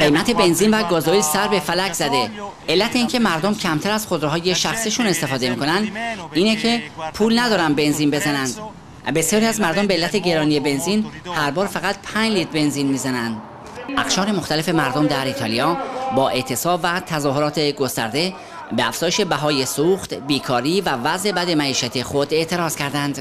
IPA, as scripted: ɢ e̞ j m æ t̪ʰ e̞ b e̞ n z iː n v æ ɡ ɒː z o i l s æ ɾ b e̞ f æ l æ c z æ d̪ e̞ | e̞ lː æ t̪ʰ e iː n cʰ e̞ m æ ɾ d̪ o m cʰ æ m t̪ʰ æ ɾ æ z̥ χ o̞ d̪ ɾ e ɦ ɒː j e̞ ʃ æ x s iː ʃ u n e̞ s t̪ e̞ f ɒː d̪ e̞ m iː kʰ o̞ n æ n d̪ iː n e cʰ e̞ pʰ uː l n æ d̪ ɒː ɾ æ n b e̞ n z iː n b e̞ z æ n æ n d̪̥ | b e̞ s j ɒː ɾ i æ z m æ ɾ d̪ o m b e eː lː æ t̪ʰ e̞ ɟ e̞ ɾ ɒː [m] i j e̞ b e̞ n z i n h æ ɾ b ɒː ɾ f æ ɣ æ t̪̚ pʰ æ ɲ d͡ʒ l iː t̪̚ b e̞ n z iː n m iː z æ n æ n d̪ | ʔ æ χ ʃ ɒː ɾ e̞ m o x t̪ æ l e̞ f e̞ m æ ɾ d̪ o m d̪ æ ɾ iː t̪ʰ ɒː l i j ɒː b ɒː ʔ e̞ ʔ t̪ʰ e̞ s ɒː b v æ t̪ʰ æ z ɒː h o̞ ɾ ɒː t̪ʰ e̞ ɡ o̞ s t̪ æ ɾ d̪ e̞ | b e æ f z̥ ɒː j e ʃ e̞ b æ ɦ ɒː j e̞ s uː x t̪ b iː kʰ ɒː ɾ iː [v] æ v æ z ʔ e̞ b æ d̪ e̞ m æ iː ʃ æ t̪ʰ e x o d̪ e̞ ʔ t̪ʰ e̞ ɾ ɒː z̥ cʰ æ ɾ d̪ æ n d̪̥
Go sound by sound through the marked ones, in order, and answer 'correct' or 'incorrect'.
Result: incorrect, correct

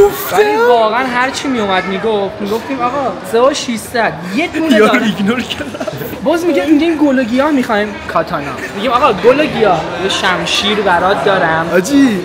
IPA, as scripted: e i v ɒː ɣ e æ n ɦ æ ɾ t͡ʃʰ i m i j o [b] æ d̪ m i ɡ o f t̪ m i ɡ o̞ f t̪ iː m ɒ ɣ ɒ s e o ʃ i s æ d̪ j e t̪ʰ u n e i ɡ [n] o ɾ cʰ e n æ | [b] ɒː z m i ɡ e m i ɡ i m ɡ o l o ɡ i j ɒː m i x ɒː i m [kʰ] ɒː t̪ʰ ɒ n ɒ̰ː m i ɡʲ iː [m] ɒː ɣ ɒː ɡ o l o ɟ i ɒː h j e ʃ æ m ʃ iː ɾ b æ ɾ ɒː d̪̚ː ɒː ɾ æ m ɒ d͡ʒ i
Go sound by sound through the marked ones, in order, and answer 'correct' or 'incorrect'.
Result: incorrect, correct, correct, correct, correct

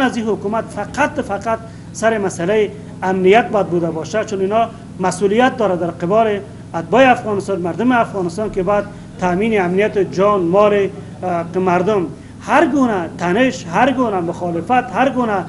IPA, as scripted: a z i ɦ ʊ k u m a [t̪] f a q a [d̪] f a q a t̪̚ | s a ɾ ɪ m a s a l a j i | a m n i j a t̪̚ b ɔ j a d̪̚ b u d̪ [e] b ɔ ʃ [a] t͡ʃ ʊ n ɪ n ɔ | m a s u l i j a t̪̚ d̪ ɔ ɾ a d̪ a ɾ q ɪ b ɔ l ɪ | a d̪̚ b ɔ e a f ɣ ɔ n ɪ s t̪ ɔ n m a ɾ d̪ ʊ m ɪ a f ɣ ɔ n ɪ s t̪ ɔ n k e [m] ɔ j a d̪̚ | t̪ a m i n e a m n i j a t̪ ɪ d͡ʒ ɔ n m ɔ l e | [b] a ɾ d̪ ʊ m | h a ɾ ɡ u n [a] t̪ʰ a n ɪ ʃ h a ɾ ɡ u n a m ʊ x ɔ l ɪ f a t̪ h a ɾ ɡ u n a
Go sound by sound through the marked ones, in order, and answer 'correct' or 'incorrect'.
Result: correct, incorrect, incorrect, correct, incorrect, incorrect, correct

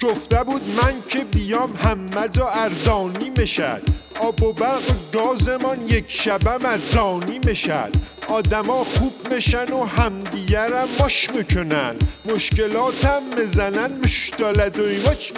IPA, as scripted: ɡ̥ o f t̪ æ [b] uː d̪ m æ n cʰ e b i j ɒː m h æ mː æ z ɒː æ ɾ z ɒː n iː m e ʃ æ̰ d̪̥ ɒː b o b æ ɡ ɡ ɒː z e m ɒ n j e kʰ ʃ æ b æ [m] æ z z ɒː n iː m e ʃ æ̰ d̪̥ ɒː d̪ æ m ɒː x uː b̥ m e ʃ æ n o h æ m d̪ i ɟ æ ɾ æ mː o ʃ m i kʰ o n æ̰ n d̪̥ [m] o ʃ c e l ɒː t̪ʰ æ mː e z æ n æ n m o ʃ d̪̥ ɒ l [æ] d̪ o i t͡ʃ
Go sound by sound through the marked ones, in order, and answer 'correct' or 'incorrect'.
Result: correct, correct, correct, correct

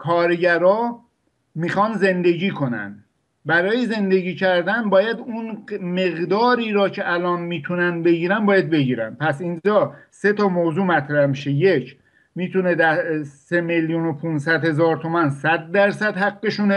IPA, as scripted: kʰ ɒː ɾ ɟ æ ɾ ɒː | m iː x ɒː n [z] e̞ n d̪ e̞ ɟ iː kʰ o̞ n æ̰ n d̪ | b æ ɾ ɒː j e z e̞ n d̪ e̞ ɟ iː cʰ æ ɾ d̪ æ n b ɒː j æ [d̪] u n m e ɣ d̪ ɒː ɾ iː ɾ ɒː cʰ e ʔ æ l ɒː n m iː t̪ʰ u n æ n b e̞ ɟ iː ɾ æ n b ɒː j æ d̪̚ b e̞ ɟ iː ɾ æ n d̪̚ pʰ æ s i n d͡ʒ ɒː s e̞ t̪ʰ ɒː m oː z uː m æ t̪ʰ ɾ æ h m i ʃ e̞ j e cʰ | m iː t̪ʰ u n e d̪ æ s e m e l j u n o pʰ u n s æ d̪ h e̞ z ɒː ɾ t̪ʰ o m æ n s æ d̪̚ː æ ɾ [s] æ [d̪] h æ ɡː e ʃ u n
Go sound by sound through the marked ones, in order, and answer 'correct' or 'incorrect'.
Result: correct, correct, correct, correct

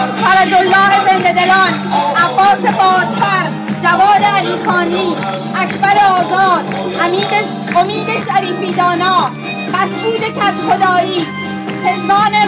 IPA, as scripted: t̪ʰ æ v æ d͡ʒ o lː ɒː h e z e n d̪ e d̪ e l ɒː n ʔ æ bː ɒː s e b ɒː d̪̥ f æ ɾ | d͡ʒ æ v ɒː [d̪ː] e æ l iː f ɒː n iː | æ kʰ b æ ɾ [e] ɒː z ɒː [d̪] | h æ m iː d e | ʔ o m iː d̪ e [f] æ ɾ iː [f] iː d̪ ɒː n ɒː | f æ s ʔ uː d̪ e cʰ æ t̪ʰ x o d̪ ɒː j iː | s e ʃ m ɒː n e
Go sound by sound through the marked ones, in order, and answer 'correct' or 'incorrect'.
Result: incorrect, correct, correct, incorrect, correct

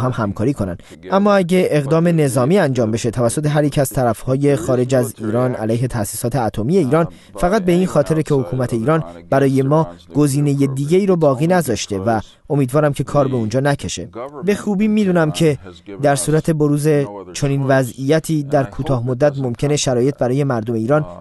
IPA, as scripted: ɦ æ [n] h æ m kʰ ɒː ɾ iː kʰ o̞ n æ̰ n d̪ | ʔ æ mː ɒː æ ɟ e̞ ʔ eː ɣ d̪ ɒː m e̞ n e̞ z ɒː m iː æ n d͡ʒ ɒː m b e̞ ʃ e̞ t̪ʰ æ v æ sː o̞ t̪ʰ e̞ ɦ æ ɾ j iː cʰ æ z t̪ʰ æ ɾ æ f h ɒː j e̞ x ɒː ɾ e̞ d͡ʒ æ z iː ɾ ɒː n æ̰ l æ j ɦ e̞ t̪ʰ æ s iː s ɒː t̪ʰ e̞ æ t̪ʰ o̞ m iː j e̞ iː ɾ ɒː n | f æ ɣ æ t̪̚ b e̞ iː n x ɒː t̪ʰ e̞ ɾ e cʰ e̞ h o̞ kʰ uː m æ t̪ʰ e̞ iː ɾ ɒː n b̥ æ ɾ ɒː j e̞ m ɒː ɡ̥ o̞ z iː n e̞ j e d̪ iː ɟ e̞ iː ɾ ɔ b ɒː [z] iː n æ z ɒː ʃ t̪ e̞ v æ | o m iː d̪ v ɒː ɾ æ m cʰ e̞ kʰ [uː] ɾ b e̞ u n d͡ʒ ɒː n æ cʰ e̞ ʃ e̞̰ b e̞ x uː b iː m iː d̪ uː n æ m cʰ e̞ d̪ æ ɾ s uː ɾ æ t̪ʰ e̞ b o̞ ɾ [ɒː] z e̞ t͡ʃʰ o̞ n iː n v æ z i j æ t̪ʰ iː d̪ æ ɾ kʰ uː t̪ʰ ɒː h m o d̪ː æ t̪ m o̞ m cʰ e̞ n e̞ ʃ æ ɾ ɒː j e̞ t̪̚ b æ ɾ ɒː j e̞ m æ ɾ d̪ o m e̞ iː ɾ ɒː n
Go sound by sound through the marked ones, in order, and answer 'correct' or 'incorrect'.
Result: incorrect, incorrect, incorrect, incorrect

